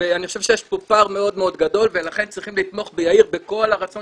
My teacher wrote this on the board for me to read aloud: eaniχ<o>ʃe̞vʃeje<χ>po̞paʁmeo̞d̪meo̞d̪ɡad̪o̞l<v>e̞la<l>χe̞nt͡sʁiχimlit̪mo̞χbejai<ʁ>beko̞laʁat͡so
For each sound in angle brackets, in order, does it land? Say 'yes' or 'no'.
yes, no, yes, no, yes

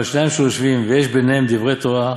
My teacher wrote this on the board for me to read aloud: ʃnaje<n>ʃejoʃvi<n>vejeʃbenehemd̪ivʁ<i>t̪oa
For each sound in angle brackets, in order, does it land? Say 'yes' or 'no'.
no, no, no

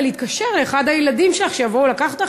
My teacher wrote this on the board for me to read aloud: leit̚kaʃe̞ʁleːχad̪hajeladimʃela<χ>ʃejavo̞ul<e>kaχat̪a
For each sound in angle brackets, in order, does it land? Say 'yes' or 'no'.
yes, no

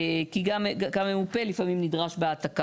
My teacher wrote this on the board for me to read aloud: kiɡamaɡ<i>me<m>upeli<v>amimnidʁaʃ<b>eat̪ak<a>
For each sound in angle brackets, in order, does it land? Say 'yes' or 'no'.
no, yes, no, yes, yes

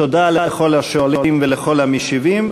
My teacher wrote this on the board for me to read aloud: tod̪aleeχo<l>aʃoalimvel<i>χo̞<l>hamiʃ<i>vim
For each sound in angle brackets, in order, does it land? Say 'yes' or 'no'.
yes, no, yes, yes

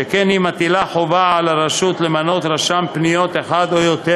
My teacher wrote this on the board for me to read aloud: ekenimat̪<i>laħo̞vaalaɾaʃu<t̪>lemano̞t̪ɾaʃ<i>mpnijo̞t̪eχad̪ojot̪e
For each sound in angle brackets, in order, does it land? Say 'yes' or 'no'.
yes, yes, no

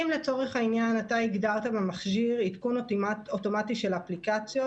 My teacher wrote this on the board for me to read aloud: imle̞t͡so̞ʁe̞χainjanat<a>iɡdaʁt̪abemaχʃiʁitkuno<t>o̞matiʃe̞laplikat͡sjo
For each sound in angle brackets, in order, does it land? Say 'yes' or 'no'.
yes, yes

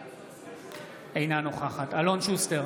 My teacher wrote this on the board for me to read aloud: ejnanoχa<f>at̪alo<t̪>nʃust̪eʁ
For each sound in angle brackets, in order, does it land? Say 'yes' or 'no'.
no, no

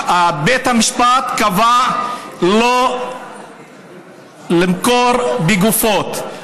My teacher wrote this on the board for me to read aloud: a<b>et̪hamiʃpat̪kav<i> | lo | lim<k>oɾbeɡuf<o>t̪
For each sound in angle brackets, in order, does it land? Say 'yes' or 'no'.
yes, no, yes, yes

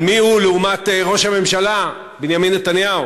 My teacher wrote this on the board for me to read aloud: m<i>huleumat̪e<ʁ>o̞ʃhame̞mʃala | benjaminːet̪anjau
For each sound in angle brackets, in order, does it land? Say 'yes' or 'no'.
yes, yes

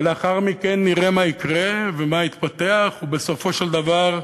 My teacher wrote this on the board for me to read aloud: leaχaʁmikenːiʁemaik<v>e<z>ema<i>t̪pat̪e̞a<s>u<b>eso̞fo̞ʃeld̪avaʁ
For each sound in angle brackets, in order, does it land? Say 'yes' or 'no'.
no, no, yes, no, yes

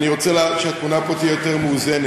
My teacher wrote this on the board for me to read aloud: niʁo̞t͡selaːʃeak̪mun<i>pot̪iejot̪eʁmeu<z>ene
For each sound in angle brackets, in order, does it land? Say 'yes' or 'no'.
no, yes

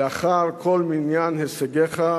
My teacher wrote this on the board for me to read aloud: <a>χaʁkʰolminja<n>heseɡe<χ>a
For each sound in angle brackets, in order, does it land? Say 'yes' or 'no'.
yes, yes, yes

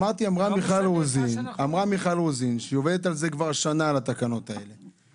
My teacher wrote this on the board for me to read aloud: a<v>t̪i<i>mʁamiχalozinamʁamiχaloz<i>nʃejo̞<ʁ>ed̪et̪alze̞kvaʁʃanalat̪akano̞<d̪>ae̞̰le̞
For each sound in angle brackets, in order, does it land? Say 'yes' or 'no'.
no, no, yes, no, no

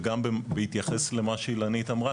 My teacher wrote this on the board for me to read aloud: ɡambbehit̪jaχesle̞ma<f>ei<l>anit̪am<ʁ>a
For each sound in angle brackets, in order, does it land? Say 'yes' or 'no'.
no, yes, yes

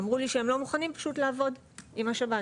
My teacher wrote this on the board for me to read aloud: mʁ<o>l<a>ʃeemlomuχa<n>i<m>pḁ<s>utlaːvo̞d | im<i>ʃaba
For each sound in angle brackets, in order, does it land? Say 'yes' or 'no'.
no, no, yes, yes, no, no

